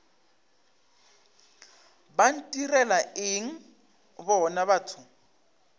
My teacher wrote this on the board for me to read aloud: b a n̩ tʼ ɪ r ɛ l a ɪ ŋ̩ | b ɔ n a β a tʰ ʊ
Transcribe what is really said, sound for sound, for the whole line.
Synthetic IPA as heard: b a n̩ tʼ i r ɛ l a ɪ ŋ̩ | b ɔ n a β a tʰ ʊ